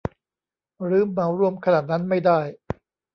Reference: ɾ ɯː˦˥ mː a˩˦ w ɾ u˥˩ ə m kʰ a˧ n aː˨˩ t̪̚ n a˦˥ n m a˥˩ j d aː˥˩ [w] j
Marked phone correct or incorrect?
incorrect